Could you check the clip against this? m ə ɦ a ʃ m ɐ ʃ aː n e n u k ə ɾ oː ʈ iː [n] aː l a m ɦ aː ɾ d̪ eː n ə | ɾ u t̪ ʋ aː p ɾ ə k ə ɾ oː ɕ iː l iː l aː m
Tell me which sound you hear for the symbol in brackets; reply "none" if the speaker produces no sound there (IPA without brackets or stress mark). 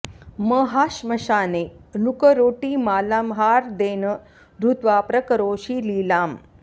m